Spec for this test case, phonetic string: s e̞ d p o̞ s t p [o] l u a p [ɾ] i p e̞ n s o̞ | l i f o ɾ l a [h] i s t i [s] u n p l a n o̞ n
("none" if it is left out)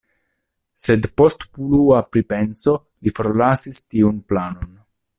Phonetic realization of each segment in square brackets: u, ɾ, s, none

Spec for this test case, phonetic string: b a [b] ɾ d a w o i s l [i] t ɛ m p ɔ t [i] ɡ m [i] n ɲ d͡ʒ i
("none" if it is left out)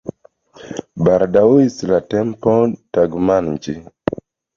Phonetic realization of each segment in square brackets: none, a, a, a

